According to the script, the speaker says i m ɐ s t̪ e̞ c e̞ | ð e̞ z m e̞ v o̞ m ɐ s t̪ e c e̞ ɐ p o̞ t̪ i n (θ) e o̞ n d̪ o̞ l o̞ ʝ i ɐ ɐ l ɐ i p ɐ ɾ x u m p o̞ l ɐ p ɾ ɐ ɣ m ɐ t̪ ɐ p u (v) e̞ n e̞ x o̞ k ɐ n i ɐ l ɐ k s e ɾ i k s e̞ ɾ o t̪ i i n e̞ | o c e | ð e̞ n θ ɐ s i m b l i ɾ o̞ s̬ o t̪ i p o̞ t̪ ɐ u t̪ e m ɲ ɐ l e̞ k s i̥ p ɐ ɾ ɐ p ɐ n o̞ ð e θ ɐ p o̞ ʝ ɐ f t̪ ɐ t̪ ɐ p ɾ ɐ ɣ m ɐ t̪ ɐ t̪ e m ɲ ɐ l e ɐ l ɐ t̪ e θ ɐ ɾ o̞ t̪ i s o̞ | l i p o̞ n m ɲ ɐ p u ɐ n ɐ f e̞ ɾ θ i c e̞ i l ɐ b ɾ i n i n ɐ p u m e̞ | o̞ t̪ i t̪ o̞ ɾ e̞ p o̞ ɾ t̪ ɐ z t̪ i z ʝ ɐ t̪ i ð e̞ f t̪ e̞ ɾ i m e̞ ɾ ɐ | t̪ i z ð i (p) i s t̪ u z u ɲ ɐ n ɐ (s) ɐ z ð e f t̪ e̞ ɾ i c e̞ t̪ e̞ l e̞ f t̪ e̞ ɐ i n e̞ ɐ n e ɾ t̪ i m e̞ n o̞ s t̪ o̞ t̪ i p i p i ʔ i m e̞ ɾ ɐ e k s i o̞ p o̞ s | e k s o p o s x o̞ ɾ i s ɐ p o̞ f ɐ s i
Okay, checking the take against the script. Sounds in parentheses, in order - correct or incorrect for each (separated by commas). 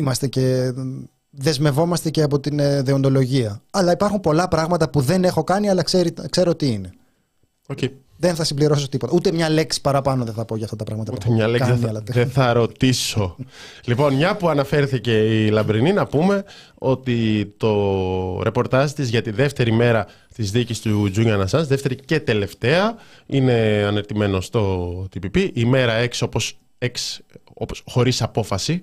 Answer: incorrect, incorrect, incorrect, correct